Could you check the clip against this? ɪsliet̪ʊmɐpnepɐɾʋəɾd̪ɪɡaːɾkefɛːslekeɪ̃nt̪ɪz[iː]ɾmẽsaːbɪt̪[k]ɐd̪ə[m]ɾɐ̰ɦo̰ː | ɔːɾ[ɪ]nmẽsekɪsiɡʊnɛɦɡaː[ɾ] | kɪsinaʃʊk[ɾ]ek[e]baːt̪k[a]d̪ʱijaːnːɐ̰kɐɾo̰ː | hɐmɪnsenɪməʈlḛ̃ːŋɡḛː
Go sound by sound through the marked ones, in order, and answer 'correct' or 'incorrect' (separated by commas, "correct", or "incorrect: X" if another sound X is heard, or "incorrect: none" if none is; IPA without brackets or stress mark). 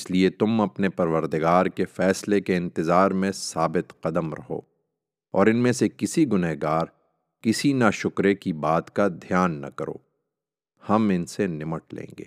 incorrect: aː, incorrect: q, correct, correct, correct, correct, incorrect: i, correct